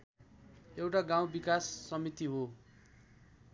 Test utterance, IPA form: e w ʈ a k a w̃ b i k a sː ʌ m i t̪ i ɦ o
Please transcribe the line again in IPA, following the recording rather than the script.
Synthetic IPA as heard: e w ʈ a ɡ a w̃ b i k a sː ʌ m i t̪ i ɦ o